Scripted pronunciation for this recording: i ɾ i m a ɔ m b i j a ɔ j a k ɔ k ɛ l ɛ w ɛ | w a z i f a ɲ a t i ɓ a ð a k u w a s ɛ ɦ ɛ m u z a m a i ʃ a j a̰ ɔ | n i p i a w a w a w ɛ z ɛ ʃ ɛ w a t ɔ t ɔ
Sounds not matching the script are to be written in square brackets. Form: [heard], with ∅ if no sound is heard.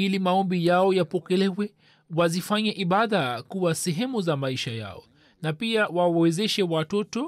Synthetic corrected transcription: i [l] i m a ɔ m b i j a ɔ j a [p] ɔ k ɛ l ɛ w ɛ | w a z i f a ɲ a [ʔ] i ɓ a ð a k u w a s ɛ ɦ ɛ m u z a m a i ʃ a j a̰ ɔ | n [a] p i a w a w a w ɛ z ɛ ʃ ɛ w a t ɔ t ɔ